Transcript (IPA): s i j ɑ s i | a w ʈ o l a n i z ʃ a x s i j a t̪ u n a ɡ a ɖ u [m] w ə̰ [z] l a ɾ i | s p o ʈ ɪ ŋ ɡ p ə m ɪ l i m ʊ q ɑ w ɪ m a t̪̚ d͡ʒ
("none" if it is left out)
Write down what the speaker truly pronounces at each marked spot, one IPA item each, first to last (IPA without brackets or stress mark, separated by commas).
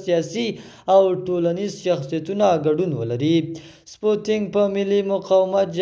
n, none